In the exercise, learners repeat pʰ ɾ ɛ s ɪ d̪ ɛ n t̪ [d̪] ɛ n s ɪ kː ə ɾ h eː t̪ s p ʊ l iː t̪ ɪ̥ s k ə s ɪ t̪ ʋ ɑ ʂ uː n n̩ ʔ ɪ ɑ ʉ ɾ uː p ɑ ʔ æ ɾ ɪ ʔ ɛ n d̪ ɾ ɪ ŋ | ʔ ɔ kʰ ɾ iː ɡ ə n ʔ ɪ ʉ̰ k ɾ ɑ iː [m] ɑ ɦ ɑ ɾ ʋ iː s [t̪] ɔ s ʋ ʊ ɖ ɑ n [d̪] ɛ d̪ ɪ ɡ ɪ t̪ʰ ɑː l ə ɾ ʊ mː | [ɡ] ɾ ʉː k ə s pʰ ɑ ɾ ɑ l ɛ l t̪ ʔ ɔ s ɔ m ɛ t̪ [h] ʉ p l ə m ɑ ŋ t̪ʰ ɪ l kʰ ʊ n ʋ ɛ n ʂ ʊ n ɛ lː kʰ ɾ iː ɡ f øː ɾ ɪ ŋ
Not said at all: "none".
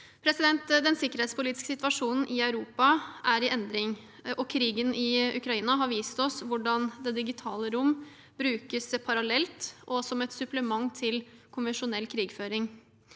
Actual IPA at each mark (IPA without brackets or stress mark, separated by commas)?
d̪, n, t̪, d̪, b, s